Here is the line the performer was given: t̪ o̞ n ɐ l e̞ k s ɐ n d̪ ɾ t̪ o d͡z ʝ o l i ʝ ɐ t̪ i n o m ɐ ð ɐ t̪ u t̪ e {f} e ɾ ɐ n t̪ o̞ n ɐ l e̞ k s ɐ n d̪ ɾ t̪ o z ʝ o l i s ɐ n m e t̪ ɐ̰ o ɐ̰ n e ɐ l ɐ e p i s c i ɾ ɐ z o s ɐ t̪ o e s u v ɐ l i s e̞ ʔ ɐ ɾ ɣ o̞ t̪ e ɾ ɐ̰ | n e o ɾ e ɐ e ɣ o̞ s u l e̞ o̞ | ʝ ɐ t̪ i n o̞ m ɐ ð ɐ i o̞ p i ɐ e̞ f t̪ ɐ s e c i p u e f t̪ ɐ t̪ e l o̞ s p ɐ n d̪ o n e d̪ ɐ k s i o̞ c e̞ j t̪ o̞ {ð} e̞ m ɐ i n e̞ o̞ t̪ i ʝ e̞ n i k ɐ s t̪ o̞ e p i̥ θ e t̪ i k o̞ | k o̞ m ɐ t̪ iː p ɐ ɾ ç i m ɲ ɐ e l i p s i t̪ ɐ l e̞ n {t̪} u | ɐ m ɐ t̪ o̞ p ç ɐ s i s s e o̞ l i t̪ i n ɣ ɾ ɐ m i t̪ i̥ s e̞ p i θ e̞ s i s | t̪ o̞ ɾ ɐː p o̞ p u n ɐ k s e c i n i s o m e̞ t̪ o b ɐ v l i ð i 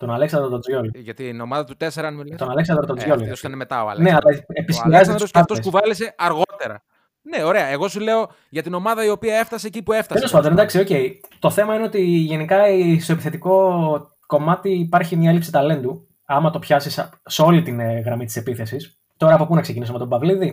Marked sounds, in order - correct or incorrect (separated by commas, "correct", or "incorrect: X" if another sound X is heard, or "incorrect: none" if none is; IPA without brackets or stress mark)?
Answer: incorrect: s, incorrect: θ, incorrect: d̪